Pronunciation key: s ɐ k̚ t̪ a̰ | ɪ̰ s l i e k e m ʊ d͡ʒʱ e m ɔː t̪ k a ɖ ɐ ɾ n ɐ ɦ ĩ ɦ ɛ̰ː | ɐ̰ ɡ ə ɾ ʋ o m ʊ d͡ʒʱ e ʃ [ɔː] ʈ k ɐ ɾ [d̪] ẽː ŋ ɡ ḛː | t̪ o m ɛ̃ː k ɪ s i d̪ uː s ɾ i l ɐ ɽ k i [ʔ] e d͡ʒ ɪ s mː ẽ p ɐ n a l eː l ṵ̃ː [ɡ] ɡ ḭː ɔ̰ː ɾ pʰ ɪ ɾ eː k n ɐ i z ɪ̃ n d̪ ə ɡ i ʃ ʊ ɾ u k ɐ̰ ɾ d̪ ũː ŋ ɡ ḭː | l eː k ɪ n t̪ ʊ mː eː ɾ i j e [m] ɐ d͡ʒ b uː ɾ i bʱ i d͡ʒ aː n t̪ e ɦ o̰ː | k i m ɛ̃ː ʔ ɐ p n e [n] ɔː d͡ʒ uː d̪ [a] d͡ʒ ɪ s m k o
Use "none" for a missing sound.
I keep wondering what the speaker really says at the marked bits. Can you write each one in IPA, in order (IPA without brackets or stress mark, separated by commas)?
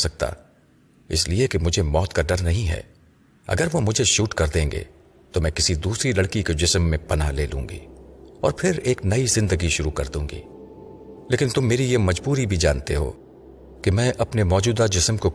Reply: uː, d̪, k, ŋ, m, m, a